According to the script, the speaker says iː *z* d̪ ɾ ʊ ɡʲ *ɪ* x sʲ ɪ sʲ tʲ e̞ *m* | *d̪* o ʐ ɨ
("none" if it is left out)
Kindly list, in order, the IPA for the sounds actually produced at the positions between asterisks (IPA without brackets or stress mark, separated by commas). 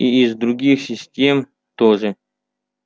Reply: z, i, m, t̪